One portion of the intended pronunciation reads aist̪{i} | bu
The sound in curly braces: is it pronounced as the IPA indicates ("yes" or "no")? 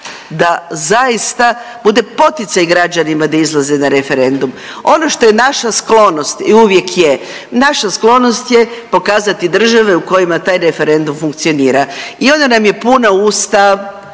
no